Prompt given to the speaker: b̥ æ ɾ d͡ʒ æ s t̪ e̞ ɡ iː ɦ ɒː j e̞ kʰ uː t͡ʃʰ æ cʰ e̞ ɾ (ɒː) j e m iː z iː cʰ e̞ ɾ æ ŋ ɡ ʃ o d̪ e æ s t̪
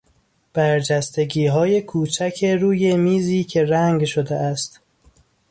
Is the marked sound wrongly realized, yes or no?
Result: yes